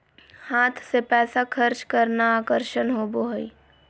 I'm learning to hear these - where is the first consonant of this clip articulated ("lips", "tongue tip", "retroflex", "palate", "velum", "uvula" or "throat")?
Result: throat